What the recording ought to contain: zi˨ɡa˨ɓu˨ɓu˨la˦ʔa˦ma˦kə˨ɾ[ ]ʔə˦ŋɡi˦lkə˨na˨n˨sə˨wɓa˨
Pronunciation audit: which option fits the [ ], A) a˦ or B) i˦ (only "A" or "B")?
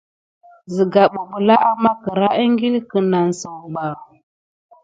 A